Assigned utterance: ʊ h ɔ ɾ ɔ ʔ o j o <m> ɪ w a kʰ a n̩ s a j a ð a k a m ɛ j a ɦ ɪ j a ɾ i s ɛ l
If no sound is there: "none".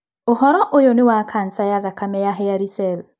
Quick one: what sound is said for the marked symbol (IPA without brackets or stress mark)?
n